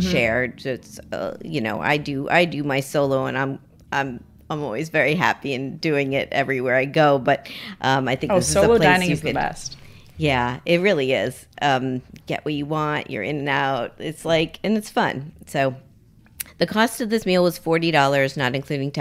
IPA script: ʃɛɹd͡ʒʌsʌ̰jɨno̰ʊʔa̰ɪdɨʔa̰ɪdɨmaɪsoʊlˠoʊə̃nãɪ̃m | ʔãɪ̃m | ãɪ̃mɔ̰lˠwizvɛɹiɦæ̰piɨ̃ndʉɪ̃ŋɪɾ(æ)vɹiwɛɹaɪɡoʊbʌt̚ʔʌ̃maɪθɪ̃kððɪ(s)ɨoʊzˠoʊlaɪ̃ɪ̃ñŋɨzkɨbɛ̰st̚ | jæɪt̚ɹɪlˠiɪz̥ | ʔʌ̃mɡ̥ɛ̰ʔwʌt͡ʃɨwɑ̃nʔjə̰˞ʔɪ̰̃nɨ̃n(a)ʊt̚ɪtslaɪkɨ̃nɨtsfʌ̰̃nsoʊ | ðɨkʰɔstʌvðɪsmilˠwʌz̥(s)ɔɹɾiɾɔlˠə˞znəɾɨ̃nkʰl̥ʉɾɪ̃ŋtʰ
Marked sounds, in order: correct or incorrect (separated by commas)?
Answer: incorrect, correct, correct, incorrect